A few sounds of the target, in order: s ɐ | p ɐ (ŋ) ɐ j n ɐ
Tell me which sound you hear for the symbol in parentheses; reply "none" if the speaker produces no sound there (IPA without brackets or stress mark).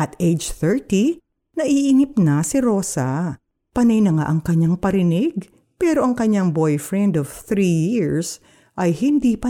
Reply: n